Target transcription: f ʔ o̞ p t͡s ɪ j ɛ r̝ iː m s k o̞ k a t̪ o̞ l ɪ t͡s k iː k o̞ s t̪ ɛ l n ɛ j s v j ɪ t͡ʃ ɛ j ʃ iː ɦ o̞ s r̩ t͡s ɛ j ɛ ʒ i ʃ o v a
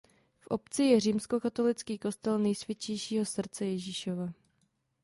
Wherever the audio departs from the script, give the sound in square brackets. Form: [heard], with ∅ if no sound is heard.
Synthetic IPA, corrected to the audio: f ʔ o̞ p t͡s ɪ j ɛ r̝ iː m s k o̞ k a t̪ o̞ l ɪ t͡s k iː k o̞ s t̪ ɛ l n ɛ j s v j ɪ t͡ʃ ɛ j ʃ iː ɦ o̞ s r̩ t͡s ɛ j ɛ ʒ i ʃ o v a